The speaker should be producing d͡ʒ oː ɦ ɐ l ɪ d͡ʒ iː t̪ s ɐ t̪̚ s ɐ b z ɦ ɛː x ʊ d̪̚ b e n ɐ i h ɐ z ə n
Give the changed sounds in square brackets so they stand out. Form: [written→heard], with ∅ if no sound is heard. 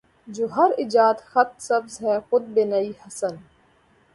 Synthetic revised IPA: d͡ʒ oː ɦ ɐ [l→ɾ] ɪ d͡ʒ [iː→aː] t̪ [s→x] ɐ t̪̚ s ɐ b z ɦ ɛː x ʊ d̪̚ b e n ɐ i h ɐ [z→s] ə n